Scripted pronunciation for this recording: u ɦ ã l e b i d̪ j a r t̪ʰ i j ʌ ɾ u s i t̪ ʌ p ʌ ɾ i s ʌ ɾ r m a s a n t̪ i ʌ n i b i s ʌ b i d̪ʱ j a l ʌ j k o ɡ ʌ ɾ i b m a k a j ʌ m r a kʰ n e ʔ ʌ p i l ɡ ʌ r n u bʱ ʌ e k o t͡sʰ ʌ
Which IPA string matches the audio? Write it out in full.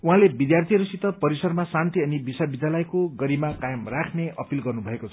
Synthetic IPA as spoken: u ɦ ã l e b i d̪ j a r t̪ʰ i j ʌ ɾ u s i t̪ ʌ p ʌ ɾ i s ʌ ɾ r m a s a n t̪ i ʌ n i b i s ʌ b i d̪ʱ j a l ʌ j k o ɡ ʌ ɾ i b m a k a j ʌ m r a kʰ n e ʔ ʌ p i l ɡ ʌ r n u bʱ ʌ e k o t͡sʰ ʌ